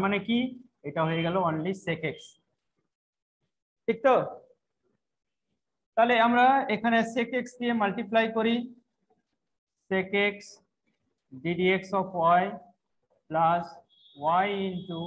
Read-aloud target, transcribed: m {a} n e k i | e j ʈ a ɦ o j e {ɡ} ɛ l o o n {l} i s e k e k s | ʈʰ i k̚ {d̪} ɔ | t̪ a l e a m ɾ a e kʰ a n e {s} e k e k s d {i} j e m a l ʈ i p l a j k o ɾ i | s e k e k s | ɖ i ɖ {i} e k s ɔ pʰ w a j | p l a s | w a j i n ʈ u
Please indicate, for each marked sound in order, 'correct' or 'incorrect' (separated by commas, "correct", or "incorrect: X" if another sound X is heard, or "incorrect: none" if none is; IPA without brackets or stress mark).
correct, correct, correct, incorrect: t̪, correct, correct, correct